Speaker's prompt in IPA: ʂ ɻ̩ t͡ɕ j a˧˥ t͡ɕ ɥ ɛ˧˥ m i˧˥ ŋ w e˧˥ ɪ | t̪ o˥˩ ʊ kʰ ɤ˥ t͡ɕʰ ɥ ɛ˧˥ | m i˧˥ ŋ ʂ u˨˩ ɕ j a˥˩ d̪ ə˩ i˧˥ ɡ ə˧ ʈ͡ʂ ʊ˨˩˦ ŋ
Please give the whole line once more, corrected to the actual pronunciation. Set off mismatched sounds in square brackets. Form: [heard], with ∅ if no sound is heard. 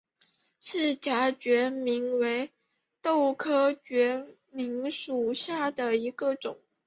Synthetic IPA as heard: ʂ ɻ̩ t͡ɕ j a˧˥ t͡ɕ ɥ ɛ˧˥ m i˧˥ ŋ w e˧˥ ɪ | t̪ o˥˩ ʊ kʰ ɤ˥ [t͡ɕ] ɥ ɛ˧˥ | m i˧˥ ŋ ʂ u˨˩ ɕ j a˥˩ d̪ ə˩ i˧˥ ɡ ə˧ ʈ͡ʂ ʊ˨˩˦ ŋ

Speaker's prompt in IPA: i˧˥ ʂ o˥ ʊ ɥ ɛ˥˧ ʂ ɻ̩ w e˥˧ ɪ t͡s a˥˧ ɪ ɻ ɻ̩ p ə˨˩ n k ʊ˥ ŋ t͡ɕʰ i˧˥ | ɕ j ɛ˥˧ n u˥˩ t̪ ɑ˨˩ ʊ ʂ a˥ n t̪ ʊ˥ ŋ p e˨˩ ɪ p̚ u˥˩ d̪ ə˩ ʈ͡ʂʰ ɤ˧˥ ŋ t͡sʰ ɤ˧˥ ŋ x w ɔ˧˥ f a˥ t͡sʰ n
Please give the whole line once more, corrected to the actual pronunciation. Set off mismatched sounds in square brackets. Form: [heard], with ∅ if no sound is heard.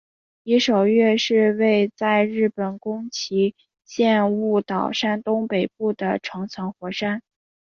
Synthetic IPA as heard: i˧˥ ʂ [o˨˩] ʊ ɥ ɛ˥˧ ʂ ɻ̩ w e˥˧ ɪ t͡s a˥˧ ɪ ɻ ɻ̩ p ə˨˩ n k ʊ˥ ŋ t͡ɕʰ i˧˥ | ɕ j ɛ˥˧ n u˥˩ t̪ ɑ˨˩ ʊ ʂ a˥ n t̪ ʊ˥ ŋ p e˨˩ ɪ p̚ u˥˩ d̪ ə˩ ʈ͡ʂʰ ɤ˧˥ ŋ t͡sʰ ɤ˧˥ ŋ x w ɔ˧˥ [ʂ] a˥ [∅] n

